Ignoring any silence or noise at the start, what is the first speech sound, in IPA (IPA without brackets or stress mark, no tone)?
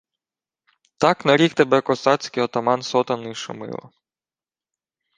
t̪